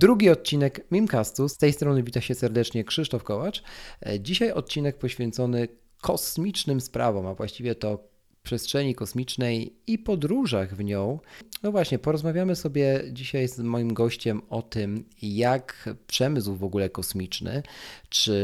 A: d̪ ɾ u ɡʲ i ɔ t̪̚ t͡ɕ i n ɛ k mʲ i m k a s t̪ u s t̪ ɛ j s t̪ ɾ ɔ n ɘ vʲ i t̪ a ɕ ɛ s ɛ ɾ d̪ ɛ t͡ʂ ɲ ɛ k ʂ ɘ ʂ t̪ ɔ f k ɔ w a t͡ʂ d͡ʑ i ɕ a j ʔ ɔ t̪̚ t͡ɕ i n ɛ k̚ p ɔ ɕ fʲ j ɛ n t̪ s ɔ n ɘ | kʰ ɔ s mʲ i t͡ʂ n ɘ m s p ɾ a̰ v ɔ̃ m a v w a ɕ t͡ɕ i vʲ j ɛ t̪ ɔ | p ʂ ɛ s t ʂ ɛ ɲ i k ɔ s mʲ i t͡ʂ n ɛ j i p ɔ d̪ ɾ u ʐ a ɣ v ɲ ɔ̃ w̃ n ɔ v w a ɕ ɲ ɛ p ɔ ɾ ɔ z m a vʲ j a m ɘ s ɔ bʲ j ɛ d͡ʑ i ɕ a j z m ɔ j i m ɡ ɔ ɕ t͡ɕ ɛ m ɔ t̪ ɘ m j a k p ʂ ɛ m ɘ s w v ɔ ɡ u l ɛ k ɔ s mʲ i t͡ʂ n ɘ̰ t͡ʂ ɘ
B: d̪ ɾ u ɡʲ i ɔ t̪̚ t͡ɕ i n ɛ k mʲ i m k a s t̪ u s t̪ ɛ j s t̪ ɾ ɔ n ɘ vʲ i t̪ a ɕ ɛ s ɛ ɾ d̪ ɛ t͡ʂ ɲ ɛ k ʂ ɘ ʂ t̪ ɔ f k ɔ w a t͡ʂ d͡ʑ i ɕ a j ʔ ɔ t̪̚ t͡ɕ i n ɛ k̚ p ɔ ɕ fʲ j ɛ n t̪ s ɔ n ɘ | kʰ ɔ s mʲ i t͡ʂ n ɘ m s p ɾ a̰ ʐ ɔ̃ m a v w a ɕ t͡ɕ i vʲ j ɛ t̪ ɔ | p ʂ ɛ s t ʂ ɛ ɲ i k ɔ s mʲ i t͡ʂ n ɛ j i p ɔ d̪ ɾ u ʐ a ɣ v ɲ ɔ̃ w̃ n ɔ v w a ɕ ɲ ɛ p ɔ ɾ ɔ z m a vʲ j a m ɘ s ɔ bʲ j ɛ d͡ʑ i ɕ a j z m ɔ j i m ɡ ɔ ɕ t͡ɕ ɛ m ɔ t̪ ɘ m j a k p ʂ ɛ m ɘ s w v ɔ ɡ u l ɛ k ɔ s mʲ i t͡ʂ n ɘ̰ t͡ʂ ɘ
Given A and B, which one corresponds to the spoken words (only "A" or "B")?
A